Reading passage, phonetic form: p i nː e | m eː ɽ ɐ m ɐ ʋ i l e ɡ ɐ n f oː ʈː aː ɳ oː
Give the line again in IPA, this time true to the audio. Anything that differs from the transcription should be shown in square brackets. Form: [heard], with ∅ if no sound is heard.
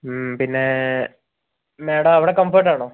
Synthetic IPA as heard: p i nː e | m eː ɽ ɐ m ɐ ʋ i [ɽ] e [k] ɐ [m] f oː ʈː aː ɳ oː